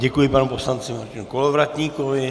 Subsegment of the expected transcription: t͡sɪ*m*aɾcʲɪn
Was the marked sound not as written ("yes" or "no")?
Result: no